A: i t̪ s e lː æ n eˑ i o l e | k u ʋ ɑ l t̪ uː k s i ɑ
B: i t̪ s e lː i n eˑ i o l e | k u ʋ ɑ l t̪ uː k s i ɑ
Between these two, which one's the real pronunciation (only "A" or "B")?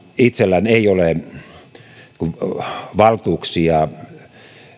A